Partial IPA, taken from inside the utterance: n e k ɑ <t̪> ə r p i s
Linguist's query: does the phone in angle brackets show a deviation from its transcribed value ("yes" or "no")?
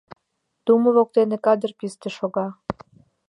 yes